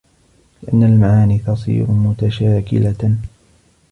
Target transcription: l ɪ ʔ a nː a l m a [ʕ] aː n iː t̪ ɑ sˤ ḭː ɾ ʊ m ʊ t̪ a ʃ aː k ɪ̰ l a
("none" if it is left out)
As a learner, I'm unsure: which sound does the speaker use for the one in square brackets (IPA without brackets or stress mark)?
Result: ʕ